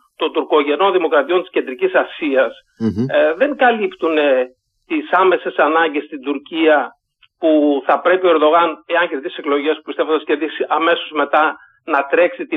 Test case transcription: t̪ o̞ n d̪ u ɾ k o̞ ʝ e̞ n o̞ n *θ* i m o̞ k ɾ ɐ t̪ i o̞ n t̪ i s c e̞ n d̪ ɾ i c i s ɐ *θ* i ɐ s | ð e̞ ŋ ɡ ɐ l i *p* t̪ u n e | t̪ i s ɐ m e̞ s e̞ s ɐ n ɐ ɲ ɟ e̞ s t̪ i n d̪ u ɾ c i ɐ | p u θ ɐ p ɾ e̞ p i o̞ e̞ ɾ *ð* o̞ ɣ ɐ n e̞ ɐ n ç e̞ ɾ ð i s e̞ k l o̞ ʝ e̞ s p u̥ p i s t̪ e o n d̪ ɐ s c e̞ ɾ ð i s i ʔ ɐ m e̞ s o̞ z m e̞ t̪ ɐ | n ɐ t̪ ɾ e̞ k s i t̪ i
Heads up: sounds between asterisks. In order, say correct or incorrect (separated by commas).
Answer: incorrect, incorrect, correct, correct